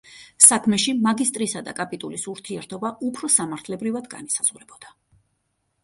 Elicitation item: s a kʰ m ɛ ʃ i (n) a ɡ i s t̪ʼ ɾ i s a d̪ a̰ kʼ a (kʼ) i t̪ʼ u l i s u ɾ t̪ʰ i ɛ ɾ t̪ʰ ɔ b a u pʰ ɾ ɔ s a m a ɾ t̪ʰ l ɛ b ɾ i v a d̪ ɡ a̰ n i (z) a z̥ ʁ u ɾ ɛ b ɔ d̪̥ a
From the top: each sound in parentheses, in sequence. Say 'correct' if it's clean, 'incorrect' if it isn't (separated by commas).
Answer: incorrect, incorrect, incorrect